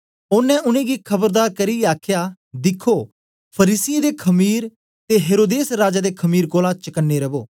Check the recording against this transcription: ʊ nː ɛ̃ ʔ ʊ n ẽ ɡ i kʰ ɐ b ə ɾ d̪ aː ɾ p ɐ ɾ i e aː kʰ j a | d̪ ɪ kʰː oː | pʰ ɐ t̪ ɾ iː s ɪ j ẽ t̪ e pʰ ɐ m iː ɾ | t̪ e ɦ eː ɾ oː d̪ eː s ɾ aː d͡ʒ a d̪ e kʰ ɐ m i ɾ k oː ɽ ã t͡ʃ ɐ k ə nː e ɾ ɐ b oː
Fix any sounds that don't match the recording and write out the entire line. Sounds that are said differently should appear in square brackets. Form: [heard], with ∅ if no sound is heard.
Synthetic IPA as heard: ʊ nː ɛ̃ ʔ ʊ n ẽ ɡ i kʰ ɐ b ə ɾ d̪ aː ɾ [k] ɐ ɾ i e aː kʰ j a | d̪ ɪ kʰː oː | pʰ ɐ [∅] ɾ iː s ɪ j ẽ [d̪] e [kʰ] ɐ m iː ɾ | t̪ e ɦ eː ɾ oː d̪ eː s ɾ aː d͡ʒ a d̪ e kʰ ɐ m [iː] ɾ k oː [l] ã t͡ʃ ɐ k ə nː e ɾ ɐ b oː